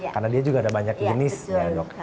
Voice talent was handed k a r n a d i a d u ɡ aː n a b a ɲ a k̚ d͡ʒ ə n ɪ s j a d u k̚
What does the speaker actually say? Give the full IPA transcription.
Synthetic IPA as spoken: k a r n a d i a d͡ʒ u ɡ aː d a b a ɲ a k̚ d͡ʒ ə n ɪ s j a d ɔ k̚